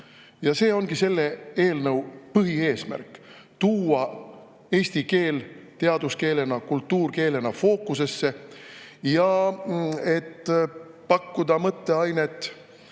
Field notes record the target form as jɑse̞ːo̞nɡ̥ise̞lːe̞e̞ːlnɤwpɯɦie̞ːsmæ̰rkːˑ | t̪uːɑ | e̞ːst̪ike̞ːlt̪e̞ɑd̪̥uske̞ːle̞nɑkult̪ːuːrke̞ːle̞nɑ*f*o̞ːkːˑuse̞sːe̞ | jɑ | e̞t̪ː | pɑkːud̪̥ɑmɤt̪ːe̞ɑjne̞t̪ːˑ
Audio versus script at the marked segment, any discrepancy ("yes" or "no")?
no